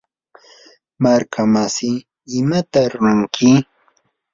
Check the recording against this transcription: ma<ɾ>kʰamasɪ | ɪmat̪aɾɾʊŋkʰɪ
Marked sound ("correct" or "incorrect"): correct